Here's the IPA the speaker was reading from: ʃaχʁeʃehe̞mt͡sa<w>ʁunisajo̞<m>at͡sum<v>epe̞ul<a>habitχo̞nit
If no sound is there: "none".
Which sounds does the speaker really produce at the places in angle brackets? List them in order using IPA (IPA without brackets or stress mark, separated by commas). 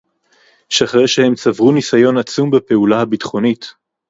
v, n, b, a